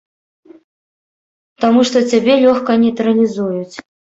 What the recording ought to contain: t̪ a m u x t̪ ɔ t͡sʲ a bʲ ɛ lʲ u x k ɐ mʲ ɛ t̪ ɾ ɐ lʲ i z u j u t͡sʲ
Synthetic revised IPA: t̪ a m u ʂ t̪ ɔ t͡sʲ a bʲ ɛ lʲ ɔ x k ɐ nʲ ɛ t̪ ɾ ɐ lʲ i z u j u t͡sʲ

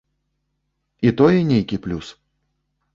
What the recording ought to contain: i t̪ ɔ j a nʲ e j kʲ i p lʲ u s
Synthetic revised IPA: i t̪ ɔ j ɛ nʲ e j kʲ i p lʲ u s

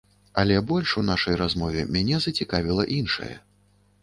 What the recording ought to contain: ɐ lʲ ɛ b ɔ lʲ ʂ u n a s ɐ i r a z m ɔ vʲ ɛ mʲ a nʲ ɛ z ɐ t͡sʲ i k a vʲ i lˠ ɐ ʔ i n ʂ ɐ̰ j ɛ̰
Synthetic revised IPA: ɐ lʲ ɛ b ɔ lʲ ʂ u n a ʂ ɐ j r a z m ɔ vʲ ɛ mʲ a nʲ ɛ z ɐ t͡sʲ i k a vʲ i lˠ ɐ ʔ i n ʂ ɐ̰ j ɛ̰

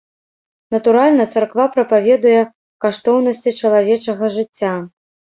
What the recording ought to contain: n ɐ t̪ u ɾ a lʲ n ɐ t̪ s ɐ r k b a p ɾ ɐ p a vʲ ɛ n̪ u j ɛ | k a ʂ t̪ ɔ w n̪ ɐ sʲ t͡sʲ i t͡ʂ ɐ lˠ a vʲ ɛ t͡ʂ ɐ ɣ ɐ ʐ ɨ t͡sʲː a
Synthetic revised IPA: n ɐ t̪ u ɾ a lʲ n ɐ t̪ s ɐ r k v a p ɾ ɐ p a vʲ ɛ d̪ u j ɛ | k a ʂ t̪ ɔ w n̪ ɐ sʲ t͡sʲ i t͡ʂ ɐ lˠ a vʲ ɛ t͡ʂ ɐ ɣ ɐ ʐ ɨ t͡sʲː a

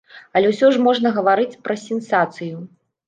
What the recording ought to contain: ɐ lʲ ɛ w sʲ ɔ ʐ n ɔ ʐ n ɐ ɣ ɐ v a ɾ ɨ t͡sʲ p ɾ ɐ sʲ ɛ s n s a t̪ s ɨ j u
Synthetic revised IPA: ɐ lʲ ɛ w sʲ ɔ ʐ m ɔ ʐ n ɐ ɣ ɐ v a ɾ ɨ t͡sʲ p ɾ ɐ sʲ ɛ n s a t̪ s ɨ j u

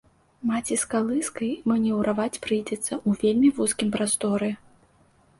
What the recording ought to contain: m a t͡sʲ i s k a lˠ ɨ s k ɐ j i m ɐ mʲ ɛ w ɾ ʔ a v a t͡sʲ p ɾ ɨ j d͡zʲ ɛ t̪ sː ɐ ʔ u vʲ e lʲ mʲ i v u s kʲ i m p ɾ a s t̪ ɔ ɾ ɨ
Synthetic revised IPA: m a t͡sʲ i s k a lˠ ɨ s k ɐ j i m ɐ nʲ ɛ w ɾ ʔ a v a t͡sʲ p ɾ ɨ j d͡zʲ ɛ t̪ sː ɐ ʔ u vʲ e lʲ mʲ i v u s kʲ i m p ɾ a s t̪ ɔ ɾ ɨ

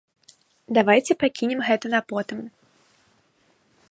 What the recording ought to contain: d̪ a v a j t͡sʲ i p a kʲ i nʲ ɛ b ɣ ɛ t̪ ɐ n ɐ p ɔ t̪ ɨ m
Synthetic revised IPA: d̪ a v a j t͡sʲ ɛ p a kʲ i nʲ ɛ m ɣ ɛ t̪ ɐ n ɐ p ɔ t̪ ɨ m

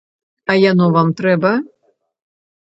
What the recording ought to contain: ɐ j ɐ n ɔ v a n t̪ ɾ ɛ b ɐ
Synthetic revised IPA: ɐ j a n ɔ v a m t̪ ɾ ɛ b ɐ

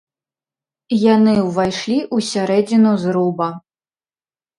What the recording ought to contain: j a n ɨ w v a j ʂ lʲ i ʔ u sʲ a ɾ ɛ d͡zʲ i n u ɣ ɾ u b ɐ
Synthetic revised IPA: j a n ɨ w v a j ʂ lʲ i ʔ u sʲ a ɾ ɛ d͡zʲ i n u z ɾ u b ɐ

